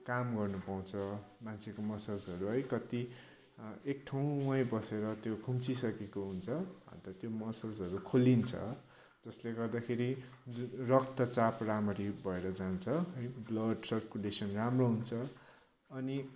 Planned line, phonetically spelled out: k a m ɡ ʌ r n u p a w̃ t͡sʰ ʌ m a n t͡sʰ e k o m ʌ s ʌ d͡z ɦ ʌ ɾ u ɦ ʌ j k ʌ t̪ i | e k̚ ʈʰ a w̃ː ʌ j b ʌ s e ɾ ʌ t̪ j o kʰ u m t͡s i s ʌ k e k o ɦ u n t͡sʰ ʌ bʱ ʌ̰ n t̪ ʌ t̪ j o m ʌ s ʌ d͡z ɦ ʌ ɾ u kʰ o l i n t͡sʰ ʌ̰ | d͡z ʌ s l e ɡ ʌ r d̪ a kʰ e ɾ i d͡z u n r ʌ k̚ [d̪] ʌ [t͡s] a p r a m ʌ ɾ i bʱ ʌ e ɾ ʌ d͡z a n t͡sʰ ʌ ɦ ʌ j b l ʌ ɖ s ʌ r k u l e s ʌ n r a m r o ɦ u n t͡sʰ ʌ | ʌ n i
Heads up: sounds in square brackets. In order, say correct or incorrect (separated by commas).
incorrect, correct